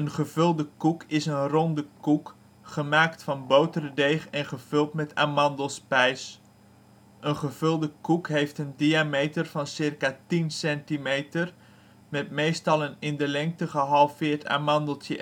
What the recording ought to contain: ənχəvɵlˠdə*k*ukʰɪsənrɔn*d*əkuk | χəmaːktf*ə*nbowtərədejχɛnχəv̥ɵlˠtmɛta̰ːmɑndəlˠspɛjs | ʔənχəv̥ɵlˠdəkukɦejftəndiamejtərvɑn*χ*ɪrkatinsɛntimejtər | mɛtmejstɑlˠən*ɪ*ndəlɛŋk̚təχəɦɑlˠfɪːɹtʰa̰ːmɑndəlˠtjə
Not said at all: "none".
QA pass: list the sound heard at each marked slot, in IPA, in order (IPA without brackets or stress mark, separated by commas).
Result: k, d, ɑ, s, ɪ